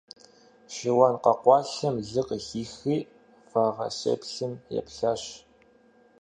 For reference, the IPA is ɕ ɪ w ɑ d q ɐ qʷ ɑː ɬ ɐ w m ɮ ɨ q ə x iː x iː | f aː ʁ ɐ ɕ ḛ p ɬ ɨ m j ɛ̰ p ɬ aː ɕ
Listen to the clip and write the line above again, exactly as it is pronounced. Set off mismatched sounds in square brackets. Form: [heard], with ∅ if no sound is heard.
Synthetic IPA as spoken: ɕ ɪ w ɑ [n] q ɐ qʷ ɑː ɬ ɐ [∅] m ɮ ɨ q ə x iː x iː | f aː ʁ ɐ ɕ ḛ p ɬ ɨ m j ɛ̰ p ɬ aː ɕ